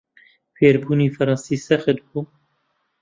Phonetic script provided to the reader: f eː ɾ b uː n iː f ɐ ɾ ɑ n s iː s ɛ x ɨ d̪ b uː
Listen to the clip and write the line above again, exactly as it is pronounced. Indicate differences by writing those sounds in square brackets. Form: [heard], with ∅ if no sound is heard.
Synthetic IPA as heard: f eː ɾ b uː n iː f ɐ ɾ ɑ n s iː s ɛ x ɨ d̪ b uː